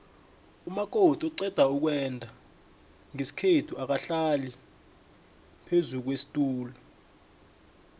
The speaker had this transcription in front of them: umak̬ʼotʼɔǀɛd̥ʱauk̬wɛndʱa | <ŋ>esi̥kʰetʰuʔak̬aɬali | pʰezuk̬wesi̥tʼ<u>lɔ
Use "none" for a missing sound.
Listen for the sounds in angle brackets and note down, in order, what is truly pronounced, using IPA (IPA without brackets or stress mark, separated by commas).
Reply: ŋ, uː